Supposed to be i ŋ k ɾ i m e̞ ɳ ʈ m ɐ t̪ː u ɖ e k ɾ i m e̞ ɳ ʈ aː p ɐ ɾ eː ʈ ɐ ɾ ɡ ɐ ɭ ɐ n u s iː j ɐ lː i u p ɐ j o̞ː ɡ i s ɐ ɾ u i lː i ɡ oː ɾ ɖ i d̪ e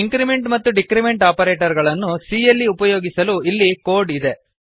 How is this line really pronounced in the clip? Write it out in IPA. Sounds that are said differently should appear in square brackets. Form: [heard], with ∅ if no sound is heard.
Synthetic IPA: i ŋ k ɾ i m e̞ ɳ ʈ m ɐ t̪ː u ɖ [i] k ɾ i m e̞ ɳ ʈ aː p ɐ ɾ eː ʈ ɐ ɾ ɡ ɐ ɭ ɐ [nː] u s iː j ɐ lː i u p ɐ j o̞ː ɡ i s ɐ [l] u i lː i [k] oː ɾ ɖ i d̪ e